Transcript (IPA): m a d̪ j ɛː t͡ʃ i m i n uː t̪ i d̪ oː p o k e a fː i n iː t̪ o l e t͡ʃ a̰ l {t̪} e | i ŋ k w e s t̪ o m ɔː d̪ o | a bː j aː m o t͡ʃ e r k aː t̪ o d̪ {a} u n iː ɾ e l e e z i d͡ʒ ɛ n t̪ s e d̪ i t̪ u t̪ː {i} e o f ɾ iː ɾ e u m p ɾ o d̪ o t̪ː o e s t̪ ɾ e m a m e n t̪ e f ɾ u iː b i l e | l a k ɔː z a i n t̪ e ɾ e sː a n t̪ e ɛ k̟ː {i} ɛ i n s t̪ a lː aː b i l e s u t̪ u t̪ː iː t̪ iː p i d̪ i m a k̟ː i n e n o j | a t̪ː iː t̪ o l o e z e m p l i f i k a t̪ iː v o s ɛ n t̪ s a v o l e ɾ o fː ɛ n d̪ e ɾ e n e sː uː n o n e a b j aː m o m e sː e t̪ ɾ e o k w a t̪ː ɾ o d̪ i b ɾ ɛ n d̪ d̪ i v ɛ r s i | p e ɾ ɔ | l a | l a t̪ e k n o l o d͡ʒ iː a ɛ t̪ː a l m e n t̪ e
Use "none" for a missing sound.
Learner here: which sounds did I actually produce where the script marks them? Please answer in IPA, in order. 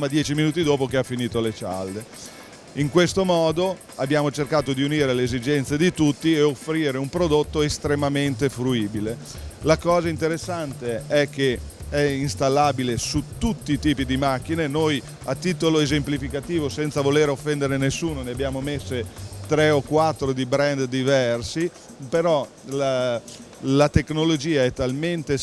d̪, i, i, e

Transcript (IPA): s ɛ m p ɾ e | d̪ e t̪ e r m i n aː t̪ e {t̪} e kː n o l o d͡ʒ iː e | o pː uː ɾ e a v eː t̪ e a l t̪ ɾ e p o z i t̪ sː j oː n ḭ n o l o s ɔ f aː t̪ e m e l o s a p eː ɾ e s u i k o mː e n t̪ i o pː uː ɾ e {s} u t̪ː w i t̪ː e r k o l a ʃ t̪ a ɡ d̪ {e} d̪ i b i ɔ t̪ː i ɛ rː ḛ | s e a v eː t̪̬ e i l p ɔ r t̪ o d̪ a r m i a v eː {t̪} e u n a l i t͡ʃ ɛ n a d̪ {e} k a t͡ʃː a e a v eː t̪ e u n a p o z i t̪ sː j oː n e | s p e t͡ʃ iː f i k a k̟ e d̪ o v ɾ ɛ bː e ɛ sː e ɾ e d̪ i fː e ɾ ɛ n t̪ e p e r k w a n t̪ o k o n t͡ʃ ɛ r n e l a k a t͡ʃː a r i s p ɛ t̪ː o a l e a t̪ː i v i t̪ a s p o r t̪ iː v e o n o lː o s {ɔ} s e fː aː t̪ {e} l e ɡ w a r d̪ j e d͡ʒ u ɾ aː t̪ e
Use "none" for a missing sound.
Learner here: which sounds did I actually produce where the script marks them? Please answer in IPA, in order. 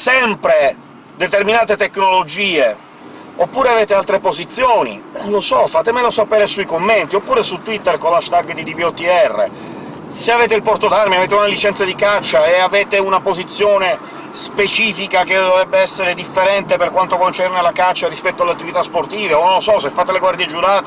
t̪, s, i, t̪, i, ɔ, e

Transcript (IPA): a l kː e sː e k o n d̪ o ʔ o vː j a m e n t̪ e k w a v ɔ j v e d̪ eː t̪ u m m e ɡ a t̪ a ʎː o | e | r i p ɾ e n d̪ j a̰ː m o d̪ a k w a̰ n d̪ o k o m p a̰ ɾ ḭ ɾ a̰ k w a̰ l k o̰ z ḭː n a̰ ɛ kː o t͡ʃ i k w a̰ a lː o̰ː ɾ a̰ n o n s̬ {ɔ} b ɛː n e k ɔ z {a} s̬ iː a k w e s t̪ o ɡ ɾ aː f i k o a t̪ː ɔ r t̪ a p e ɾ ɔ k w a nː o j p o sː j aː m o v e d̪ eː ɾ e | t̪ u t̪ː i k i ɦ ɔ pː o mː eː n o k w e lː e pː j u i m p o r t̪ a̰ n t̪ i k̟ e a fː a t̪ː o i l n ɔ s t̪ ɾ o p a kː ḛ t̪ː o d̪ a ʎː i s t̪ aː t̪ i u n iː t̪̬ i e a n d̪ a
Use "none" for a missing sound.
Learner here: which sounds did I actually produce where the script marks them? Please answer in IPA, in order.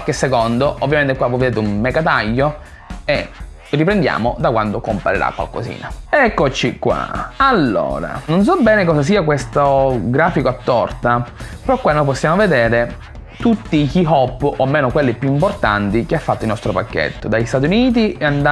ɔ, a

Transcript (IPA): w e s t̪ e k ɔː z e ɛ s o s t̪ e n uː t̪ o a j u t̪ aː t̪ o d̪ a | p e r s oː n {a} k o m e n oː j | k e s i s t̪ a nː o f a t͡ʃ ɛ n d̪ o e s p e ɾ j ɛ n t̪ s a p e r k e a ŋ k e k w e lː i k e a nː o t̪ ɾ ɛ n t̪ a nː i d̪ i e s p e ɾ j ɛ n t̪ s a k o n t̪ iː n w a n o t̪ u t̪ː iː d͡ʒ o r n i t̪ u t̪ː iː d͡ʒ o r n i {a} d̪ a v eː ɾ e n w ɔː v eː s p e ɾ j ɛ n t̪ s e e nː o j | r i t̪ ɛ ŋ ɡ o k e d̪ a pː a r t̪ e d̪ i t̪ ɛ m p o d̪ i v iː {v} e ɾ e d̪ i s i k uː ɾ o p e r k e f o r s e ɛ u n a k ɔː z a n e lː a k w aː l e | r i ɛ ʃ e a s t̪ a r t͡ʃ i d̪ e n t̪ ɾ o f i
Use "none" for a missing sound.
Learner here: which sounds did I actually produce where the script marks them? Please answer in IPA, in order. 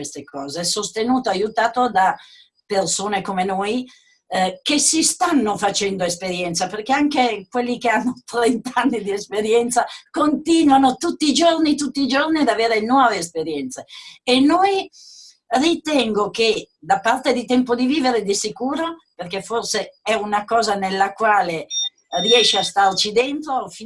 e, a, v

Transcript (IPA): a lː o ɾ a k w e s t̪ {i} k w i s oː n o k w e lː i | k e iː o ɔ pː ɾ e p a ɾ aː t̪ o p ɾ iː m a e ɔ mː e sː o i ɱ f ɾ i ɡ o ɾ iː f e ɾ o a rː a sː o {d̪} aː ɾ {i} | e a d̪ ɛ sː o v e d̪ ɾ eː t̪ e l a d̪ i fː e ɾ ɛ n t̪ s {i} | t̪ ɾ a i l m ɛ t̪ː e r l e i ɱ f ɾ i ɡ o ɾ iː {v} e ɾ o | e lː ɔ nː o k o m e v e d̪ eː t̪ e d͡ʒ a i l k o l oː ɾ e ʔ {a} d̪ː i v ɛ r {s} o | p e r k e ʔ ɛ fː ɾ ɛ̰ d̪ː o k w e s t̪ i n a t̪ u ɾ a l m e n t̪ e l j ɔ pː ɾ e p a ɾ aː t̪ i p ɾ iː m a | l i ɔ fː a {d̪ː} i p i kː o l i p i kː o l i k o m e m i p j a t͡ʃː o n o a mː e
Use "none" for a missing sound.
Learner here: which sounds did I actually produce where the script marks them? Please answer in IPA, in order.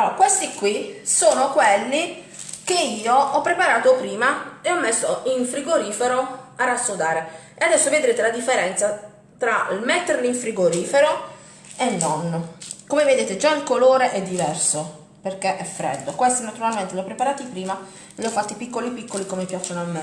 i, d̪, e, a, f, ɛ, s, t̪ː

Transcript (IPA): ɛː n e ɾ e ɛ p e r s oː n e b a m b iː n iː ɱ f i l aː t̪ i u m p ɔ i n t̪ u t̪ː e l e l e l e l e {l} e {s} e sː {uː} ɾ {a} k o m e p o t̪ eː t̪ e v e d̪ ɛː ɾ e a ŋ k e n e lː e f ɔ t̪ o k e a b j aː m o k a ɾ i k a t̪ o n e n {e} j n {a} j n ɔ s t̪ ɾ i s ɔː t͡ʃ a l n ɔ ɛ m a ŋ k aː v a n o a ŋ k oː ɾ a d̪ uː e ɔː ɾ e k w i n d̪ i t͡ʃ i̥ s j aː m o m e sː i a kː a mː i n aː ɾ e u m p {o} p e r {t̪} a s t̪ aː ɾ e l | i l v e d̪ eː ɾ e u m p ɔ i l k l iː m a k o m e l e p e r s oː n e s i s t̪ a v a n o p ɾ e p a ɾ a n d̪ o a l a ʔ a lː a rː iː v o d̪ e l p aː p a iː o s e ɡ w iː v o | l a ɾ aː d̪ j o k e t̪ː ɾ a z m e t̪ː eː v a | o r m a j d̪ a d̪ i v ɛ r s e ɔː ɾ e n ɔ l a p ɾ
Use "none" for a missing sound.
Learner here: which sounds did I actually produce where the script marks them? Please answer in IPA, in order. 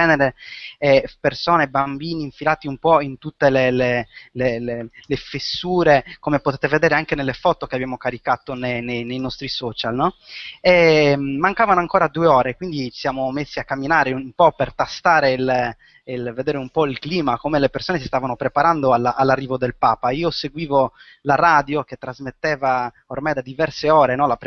l, f, uː, e, e, e, ɔ, t̪

